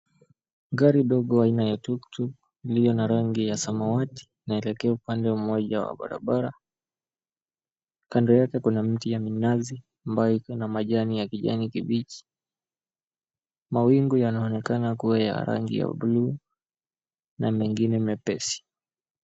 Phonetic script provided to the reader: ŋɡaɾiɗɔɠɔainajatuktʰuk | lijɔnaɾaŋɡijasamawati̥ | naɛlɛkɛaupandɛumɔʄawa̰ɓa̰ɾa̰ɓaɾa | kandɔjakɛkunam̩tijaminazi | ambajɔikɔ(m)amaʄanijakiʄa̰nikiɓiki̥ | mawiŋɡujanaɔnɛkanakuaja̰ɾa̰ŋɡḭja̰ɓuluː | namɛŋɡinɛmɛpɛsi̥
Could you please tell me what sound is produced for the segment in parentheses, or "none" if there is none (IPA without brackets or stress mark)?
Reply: n